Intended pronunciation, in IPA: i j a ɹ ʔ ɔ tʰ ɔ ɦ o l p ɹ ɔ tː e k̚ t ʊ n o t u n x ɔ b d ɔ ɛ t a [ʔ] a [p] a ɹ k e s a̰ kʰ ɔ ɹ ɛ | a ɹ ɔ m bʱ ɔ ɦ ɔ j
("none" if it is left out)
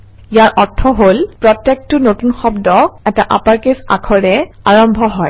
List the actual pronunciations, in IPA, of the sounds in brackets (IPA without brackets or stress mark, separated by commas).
ʔ, p